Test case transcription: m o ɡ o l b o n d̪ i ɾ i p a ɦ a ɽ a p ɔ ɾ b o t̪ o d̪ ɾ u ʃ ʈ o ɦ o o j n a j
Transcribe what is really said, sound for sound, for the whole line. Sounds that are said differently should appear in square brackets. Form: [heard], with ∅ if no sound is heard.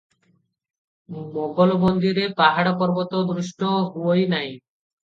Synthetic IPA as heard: m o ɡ o l b o n d̪ i ɾ [e] p a ɦ a ɽ a p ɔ ɾ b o t̪ o d̪ ɾ u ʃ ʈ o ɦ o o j n a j